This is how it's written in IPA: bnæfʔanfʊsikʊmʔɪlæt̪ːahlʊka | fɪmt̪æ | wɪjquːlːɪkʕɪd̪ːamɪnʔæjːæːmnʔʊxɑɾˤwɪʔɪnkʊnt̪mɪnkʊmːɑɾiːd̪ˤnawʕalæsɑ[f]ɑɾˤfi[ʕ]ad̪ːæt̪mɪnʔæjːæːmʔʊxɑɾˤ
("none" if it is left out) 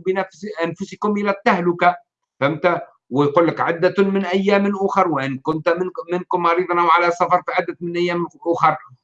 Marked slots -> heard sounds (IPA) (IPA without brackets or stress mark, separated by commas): f, ʕ